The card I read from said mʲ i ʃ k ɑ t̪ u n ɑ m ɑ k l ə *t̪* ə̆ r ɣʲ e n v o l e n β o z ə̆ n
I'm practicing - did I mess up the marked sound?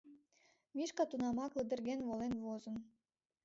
yes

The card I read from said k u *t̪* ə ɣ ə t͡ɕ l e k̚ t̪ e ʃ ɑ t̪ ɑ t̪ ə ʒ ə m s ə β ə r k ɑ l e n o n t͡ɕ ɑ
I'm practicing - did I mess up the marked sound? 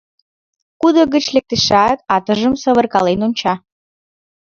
yes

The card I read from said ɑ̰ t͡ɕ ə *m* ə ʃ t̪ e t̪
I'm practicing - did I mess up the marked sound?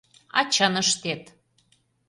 yes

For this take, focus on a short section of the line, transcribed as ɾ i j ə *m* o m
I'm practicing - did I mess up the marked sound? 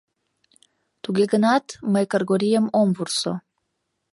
no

